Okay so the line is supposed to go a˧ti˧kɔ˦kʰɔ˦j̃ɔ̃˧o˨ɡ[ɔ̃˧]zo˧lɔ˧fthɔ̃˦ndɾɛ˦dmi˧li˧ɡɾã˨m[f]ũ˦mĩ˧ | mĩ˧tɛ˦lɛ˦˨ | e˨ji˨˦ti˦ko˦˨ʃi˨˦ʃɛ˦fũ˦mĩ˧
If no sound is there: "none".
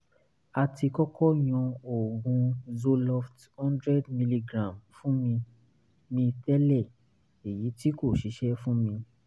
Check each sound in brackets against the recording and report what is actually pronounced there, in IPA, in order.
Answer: ũ˧, f

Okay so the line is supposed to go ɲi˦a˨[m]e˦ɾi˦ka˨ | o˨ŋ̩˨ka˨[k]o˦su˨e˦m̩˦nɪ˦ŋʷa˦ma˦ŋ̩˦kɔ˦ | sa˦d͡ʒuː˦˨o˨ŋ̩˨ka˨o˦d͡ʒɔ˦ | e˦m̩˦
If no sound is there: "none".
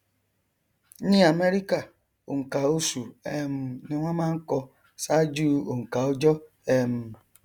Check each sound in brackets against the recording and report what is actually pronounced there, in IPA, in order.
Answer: m, none

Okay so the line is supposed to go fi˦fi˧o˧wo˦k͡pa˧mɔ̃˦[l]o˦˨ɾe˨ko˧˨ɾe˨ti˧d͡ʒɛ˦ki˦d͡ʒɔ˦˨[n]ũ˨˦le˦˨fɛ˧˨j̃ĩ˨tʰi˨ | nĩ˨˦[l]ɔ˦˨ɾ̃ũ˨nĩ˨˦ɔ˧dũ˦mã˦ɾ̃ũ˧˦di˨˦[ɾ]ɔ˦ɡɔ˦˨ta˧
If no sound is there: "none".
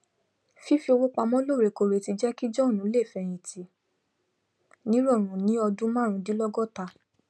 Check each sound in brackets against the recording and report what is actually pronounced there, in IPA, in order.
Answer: l, n, ɾ, l

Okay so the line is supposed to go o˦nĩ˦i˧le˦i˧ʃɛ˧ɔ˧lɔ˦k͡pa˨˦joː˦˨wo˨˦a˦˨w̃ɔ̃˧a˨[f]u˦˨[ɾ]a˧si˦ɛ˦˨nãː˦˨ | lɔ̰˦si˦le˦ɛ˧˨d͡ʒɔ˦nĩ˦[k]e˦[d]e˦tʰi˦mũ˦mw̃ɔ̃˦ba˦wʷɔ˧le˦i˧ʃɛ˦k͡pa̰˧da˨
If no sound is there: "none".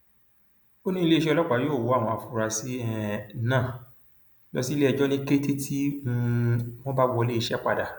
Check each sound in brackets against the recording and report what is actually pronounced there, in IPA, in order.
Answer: f, ɾ, k, t

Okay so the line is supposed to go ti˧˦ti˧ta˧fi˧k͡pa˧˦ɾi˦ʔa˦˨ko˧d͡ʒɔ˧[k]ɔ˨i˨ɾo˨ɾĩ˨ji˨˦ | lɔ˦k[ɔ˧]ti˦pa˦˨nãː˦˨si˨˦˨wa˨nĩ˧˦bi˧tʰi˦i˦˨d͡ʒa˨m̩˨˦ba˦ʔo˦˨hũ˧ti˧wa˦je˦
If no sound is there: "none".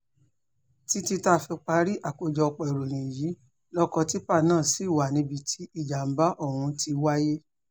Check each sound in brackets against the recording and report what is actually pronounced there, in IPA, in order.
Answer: k͡p, ɔ˧

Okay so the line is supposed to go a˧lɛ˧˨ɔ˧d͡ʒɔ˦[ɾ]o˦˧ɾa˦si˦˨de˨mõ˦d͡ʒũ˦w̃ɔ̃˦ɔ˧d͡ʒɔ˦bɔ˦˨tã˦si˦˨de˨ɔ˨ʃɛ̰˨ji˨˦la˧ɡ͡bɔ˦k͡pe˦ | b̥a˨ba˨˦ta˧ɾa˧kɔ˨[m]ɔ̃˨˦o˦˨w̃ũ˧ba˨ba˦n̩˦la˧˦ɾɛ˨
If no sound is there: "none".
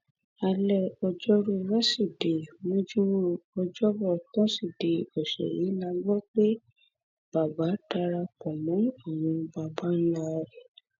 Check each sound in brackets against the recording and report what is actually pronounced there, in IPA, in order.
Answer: ɾ, m

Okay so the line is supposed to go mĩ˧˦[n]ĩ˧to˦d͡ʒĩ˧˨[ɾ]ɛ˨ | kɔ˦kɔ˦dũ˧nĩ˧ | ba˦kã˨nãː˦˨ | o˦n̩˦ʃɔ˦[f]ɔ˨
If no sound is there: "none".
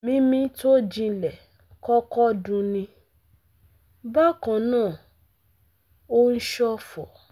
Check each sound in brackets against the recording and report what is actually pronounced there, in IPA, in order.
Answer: m, l, f

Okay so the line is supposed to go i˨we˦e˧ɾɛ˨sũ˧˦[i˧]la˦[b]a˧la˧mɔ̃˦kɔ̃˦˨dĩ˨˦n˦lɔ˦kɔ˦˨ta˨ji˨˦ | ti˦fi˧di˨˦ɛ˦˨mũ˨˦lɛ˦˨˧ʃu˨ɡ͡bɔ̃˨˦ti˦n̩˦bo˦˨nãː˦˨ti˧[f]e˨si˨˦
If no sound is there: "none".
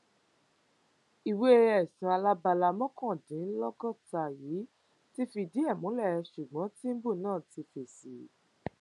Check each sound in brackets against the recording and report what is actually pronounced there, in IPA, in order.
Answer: a˧, b, f

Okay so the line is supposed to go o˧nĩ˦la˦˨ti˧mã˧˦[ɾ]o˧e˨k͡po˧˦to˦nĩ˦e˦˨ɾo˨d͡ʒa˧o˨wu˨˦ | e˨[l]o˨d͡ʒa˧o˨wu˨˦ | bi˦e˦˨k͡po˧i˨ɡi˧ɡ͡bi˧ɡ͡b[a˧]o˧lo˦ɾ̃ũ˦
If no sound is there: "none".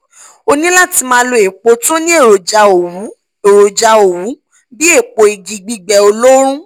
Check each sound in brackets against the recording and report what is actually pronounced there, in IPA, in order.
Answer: l, ɾ, ɛ˧

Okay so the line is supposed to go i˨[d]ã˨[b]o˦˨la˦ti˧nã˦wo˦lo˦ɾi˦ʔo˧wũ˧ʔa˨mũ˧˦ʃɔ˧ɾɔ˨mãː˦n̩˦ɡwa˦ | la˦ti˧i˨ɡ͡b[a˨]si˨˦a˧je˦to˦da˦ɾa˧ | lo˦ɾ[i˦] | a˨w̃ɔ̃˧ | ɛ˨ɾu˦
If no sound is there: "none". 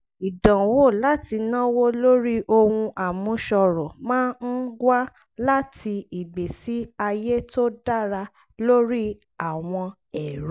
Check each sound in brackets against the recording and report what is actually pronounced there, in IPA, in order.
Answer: d, w, e˨, i˦

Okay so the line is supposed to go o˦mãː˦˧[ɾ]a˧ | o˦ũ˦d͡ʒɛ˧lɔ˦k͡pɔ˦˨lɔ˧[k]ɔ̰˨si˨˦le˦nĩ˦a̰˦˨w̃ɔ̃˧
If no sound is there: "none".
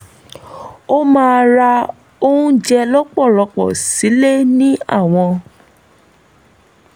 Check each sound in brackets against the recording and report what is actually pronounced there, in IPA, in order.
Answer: ɾ, k͡p

